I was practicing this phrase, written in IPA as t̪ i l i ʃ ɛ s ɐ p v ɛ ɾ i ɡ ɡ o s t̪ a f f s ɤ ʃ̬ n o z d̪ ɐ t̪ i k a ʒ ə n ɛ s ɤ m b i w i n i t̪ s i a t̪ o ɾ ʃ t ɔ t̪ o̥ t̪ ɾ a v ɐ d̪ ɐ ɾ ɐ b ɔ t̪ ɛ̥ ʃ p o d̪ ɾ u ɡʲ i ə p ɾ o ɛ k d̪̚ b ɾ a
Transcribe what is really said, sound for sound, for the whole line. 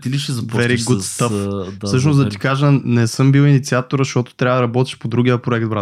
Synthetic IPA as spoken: t̪ i l i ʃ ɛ z ɐ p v ɛ ɾ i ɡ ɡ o s t̪ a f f s ɤ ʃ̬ n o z d̪ ɐ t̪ i k a ʒ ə n ɛ s ɤ m b i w i n i t̪ s i a t̪ o ɾ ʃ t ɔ t̪ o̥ t̪ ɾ a v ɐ d̪ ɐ ɾ ɐ b ɔ t̪ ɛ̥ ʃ p o d̪ ɾ u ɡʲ i ə p ɾ o ɛ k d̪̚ b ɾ a